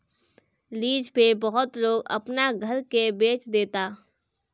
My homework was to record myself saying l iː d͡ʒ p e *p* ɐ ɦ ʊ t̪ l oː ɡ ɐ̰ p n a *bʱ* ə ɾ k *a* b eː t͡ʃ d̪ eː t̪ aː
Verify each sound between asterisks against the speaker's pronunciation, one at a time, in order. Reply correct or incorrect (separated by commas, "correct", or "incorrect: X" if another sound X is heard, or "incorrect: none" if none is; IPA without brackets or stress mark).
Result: incorrect: b, incorrect: ɡʱ, incorrect: e